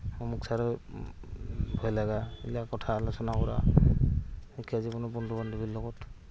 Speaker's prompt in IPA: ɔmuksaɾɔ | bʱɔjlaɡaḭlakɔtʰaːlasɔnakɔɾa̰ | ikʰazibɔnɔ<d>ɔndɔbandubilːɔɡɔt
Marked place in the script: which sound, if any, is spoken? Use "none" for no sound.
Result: b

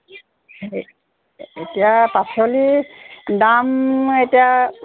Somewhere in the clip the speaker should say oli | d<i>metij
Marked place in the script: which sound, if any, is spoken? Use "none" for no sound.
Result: a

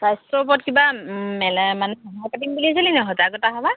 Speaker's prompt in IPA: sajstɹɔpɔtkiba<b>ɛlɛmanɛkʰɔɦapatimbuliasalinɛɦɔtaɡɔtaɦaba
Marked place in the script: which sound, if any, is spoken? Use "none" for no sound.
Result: m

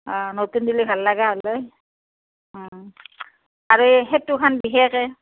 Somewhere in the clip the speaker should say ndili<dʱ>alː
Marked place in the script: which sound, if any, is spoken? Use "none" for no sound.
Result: bʱ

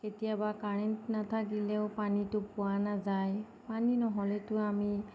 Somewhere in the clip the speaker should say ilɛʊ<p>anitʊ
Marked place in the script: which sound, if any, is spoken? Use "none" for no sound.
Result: p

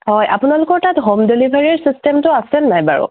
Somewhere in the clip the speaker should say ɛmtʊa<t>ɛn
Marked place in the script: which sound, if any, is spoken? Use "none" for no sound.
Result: s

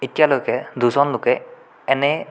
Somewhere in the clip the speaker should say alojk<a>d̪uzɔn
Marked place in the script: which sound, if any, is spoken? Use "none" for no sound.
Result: ɛ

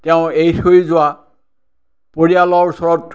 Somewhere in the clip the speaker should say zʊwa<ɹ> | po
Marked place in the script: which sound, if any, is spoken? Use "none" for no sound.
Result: none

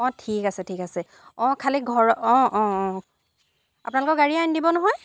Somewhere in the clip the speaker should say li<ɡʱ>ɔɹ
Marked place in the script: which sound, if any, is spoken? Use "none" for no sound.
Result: ɡʱ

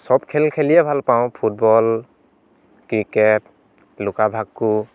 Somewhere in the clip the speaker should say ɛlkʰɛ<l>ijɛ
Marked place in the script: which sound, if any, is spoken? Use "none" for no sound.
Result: l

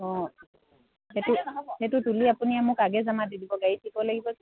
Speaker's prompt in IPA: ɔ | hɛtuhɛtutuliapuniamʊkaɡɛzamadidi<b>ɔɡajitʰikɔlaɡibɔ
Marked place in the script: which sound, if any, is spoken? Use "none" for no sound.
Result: b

